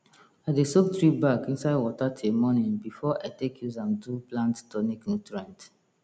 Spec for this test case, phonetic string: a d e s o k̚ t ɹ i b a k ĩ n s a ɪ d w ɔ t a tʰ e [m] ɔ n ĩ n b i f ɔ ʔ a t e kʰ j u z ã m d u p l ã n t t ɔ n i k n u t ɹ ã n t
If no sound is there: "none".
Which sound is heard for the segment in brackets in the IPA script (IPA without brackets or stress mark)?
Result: m